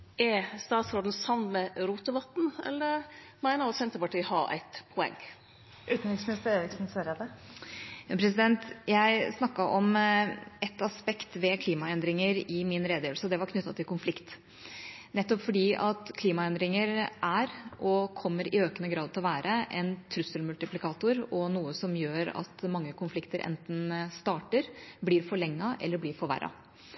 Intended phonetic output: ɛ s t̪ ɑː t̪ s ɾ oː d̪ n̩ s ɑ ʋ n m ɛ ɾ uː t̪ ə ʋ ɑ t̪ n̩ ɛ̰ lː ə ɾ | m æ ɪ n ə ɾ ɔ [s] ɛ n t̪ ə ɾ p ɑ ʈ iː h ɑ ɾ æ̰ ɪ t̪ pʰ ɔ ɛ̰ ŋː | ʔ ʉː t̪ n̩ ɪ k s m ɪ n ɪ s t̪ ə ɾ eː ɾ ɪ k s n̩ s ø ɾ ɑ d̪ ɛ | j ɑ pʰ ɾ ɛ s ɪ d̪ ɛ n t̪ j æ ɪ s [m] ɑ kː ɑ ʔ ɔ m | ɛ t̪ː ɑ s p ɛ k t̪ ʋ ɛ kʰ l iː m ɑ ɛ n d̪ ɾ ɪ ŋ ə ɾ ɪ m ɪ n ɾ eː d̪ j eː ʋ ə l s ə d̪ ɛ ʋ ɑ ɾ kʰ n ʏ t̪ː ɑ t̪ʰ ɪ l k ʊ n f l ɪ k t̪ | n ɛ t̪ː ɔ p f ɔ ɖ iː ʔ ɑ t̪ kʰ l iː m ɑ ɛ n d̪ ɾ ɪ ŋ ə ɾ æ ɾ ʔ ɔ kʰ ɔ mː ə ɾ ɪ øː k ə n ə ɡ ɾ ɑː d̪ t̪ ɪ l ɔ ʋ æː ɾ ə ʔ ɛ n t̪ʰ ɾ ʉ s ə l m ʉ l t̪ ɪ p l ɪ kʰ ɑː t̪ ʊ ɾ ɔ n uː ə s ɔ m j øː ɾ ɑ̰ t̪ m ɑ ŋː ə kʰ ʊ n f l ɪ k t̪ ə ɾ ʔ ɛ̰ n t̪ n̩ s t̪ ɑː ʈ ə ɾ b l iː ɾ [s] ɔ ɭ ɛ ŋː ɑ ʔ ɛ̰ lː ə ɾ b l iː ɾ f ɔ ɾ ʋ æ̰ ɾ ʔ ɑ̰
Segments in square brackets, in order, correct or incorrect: correct, incorrect: n, incorrect: f

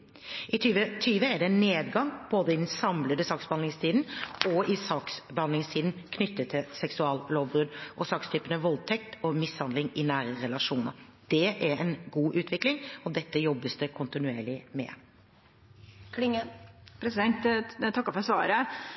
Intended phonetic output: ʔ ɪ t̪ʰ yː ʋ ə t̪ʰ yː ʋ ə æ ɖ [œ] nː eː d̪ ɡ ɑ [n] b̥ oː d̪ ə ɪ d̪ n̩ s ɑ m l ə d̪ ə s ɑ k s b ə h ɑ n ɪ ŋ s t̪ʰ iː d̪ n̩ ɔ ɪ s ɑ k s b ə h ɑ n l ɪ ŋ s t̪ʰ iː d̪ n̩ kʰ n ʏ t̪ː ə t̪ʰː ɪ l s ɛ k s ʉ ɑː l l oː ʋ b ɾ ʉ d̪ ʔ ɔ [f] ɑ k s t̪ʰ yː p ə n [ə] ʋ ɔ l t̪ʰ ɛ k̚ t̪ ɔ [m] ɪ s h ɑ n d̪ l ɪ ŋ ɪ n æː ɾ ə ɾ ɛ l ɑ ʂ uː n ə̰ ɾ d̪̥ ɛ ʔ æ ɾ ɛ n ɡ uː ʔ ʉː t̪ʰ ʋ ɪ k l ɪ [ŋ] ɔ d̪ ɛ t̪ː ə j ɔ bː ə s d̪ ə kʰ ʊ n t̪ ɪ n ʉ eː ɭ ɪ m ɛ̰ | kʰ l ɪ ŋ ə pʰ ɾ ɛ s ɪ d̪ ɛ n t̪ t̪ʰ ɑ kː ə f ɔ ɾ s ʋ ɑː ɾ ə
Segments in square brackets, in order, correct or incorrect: incorrect: ɛ, incorrect: ŋ, incorrect: s, correct, correct, correct

